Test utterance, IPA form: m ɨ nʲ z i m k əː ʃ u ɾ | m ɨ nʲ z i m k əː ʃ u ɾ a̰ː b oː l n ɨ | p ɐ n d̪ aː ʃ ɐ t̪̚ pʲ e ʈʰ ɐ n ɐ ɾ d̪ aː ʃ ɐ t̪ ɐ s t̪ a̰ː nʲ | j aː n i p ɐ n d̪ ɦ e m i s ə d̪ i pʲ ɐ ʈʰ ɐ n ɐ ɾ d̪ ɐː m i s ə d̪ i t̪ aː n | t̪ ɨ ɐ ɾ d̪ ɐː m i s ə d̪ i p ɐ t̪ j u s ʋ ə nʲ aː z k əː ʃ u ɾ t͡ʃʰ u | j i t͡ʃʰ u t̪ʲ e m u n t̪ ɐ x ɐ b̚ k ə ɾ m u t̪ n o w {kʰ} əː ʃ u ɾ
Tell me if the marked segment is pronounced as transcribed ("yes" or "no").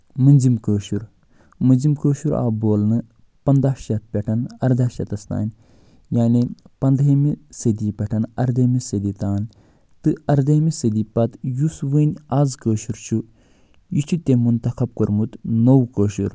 no